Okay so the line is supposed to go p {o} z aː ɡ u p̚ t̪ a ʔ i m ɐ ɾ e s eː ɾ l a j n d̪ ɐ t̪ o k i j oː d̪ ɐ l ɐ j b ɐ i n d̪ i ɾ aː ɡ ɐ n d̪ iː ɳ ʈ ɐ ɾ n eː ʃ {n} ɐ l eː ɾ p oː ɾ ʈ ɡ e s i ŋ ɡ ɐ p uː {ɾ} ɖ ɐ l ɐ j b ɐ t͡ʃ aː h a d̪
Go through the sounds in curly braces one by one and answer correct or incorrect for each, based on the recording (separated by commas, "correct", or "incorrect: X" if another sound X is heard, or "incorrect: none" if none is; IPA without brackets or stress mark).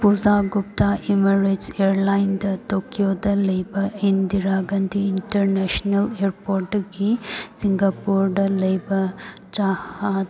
incorrect: u, correct, correct